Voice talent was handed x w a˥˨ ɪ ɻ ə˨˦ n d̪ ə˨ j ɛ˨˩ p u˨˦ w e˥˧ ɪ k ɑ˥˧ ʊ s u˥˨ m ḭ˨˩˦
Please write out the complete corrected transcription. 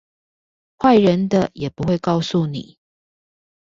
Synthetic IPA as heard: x w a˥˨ ɪ ɻ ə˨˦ n d̪ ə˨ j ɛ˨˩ p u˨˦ w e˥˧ ɪ k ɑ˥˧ ʊ s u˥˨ n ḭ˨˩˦